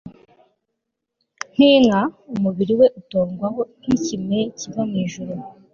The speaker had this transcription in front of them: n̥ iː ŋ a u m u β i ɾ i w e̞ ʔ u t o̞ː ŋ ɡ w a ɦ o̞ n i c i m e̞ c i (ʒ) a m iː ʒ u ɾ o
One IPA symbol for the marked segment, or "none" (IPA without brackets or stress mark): v